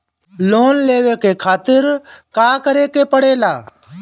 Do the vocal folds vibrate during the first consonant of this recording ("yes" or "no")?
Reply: yes